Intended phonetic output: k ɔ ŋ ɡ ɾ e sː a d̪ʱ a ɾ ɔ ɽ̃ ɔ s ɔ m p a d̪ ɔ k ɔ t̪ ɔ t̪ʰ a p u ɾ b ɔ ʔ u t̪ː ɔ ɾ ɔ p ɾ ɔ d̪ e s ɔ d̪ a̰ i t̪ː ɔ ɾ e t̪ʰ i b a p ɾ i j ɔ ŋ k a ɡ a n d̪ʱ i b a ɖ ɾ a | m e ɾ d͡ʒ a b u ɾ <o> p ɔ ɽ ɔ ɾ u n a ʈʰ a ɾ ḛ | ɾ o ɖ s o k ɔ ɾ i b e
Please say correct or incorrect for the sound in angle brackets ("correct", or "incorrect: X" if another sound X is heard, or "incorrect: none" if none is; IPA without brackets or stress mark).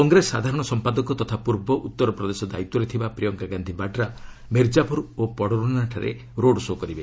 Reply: correct